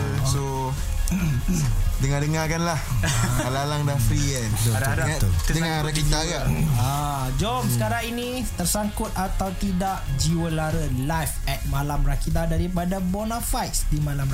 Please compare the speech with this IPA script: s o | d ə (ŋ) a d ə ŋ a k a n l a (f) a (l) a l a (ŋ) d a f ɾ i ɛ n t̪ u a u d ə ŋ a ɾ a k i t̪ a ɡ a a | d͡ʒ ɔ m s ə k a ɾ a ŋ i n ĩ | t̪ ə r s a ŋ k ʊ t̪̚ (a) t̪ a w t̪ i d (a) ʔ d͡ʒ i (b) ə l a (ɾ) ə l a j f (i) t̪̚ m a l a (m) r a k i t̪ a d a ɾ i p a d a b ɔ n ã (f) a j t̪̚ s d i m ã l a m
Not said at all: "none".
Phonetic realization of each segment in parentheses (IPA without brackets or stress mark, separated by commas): ŋ, h, l, ŋ, a, a, w, ɾ, ɛ, m, f